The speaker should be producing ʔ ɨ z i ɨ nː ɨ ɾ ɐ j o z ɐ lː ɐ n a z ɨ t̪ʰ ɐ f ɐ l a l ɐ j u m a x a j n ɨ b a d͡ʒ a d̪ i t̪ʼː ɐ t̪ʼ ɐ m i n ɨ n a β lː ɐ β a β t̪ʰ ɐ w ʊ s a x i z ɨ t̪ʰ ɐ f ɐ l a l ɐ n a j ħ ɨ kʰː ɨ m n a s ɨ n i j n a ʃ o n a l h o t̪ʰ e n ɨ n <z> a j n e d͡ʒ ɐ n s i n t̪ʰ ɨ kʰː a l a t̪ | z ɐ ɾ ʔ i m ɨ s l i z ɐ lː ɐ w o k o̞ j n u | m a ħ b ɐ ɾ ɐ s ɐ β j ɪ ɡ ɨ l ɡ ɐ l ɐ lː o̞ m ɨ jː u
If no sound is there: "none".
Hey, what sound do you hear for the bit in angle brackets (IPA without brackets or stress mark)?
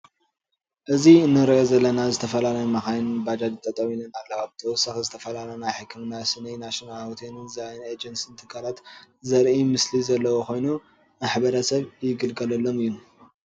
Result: z